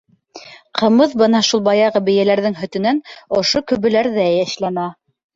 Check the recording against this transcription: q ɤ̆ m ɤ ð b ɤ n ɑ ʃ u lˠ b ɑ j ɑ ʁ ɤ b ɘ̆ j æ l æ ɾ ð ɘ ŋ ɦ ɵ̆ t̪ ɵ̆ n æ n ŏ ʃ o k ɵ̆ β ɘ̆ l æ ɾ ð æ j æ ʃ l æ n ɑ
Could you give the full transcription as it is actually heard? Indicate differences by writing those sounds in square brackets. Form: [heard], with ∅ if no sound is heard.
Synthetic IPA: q ɤ̆ m ɤ ð b ɤ n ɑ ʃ u lˠ b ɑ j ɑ ʁ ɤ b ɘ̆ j æ l æ ɾ ð ɘ ŋ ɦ ɵ̆ t̪ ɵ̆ n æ n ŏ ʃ o k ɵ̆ β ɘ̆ l æ ɾ ð æ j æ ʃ l æ n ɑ